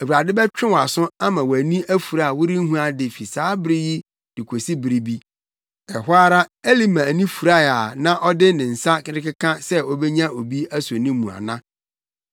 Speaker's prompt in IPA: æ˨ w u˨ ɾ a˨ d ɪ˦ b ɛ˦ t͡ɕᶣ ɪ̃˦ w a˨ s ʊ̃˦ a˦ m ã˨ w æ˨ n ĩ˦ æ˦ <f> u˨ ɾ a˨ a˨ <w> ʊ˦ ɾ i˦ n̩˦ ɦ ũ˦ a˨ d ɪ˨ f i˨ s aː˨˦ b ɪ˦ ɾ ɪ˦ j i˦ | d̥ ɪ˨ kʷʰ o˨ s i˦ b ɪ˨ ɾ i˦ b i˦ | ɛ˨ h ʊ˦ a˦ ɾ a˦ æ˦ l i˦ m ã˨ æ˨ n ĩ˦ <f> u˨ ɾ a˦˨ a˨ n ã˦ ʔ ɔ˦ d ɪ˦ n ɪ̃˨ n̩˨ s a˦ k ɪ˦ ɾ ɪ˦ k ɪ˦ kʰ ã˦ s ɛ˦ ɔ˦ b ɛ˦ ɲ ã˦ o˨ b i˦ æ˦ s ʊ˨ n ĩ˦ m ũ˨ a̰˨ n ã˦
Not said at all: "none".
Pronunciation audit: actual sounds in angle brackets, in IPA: f, w, f

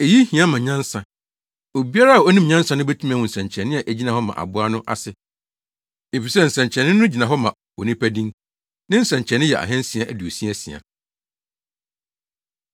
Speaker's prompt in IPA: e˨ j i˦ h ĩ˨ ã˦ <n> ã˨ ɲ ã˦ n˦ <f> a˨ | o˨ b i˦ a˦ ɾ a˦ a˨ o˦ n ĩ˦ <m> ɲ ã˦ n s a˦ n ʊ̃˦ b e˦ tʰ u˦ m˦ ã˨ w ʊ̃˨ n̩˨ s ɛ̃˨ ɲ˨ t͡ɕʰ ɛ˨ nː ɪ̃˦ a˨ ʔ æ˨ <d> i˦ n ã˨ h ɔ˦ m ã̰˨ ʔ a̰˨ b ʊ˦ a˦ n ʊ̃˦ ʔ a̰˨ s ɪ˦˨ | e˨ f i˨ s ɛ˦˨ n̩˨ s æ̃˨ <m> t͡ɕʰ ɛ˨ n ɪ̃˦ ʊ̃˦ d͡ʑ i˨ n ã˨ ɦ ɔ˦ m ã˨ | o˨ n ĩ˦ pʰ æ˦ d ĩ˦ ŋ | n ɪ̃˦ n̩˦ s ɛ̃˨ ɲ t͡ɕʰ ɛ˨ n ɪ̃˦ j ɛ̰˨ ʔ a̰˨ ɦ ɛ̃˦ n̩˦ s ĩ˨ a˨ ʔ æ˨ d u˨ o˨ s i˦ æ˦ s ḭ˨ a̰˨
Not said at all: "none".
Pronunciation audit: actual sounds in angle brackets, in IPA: m, s, m, d͡ʑ, ɲ

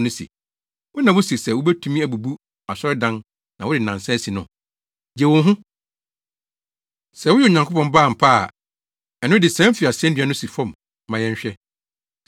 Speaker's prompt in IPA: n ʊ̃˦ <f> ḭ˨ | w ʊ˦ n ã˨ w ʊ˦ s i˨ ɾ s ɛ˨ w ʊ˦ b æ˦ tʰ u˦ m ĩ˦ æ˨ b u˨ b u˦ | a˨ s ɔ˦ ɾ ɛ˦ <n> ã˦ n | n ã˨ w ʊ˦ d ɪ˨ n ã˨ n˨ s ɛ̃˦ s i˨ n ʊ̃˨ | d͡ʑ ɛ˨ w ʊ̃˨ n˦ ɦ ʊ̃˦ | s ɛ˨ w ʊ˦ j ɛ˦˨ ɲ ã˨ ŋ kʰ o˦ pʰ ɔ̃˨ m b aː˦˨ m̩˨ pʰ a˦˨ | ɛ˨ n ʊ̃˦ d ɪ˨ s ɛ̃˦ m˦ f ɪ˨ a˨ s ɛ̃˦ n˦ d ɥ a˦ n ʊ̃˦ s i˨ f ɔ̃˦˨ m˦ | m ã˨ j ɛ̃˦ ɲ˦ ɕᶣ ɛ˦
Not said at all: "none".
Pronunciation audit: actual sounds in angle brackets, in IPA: s, d

